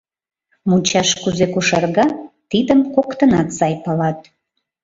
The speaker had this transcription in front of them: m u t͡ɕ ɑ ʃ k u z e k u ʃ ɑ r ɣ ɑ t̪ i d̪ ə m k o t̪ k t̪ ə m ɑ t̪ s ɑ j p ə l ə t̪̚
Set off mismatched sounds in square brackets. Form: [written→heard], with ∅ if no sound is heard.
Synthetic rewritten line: m u t͡ɕ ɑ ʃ k u z e k u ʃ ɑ r ɣ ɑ t̪ i d̪ ə m k o [t̪→∅] k t̪ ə [m→n] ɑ t̪ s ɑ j p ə l [ə→ɑ] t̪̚